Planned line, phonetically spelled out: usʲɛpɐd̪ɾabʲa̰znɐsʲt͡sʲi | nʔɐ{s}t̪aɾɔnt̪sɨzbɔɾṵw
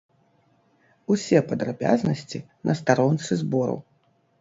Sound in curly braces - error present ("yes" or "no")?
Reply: no